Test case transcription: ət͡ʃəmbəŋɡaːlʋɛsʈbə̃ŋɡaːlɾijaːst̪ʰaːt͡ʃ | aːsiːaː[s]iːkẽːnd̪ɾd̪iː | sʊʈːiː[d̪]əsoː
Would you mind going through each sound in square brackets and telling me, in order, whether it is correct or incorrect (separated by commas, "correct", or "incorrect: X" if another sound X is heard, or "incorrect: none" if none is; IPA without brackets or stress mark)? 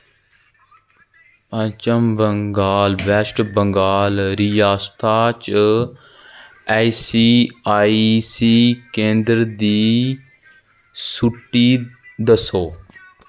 correct, correct